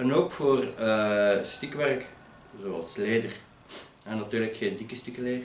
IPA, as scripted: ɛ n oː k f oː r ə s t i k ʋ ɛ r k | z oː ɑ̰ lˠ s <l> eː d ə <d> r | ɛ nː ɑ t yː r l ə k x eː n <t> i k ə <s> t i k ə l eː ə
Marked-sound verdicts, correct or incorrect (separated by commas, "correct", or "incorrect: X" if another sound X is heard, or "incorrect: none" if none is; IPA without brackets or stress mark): correct, incorrect: none, incorrect: d, correct